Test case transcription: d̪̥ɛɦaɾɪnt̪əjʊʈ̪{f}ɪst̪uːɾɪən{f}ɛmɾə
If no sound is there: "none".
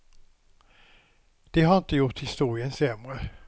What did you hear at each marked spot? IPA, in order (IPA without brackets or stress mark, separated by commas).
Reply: h, s